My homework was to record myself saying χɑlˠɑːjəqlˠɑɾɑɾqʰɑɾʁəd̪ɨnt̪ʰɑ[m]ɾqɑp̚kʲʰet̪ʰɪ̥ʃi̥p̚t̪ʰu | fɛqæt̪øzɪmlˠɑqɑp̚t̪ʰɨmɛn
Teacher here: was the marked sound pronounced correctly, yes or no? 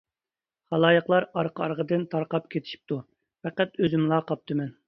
no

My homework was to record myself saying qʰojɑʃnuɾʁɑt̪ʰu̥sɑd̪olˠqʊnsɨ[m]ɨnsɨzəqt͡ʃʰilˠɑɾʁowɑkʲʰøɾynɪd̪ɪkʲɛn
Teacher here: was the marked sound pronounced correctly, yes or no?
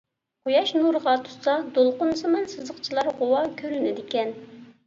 yes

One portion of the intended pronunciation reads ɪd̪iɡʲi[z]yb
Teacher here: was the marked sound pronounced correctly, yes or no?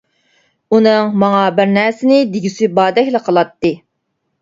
no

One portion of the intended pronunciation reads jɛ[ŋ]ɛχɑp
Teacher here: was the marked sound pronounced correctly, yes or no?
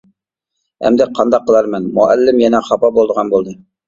no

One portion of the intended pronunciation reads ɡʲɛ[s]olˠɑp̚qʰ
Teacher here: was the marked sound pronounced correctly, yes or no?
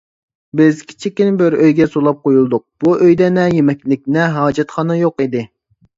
yes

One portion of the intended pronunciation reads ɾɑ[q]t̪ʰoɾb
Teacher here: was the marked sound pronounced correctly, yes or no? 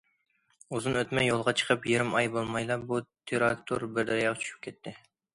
no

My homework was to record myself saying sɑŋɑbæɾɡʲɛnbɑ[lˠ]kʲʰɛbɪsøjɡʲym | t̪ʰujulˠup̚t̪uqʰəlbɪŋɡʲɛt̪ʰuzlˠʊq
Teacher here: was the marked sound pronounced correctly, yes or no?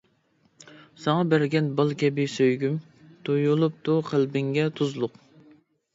yes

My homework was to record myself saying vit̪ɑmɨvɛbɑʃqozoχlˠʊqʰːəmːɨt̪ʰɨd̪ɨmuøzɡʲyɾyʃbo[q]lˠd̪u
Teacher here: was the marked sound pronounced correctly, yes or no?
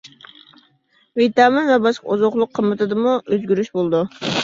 no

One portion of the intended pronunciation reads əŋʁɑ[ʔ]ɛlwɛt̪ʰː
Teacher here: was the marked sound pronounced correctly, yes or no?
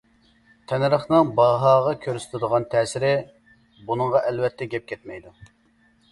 yes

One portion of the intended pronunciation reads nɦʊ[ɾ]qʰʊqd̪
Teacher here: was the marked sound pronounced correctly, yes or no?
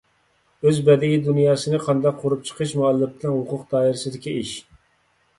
no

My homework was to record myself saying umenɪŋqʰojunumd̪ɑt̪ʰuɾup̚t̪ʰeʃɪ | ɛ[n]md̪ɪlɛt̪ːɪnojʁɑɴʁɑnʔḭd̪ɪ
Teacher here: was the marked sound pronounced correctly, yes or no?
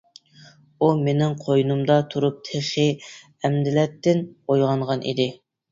no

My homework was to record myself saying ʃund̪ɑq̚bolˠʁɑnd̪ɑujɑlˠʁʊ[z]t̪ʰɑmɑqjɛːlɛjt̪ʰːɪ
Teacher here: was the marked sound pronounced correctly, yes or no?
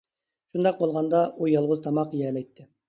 yes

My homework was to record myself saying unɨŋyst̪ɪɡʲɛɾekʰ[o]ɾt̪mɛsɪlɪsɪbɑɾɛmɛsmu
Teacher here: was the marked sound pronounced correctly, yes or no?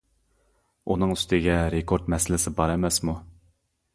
yes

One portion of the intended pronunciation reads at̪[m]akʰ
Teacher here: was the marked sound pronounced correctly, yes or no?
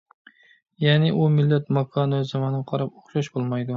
yes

